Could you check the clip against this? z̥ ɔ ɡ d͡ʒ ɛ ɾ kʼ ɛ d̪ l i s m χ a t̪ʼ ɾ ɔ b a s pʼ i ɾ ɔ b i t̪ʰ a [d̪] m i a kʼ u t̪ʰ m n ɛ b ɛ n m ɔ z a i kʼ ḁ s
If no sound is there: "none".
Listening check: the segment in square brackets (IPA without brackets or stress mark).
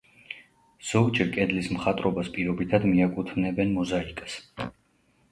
d̪